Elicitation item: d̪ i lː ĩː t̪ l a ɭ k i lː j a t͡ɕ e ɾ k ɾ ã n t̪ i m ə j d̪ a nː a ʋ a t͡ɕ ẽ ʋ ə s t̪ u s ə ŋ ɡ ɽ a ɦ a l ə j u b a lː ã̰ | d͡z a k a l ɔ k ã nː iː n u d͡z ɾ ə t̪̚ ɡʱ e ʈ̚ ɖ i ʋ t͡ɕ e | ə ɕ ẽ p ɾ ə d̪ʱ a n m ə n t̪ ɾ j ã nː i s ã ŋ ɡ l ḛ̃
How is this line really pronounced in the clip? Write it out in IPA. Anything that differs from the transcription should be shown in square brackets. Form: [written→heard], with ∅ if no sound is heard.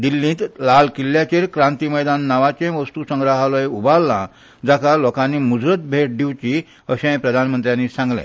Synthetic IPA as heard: d̪ i lː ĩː t̪ l a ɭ k i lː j a t͡ɕ e ɾ k ɾ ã n t̪ i m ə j d̪ a nː a ʋ a t͡ɕ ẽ ʋ ə s t̪ u s ə ŋ ɡ [ɽ→ɾ] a ɦ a l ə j u b a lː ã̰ | d͡z a k a l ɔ k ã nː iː [n→m] u d͡z ɾ ə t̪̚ [ɡʱ→bʱ] e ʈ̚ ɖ i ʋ t͡ɕ [e→i] | ə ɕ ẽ p ɾ ə d̪ʱ a n m ə n t̪ ɾ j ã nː i s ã ŋ ɡ l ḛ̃